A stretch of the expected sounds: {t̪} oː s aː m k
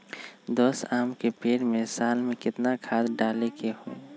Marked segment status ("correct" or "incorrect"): incorrect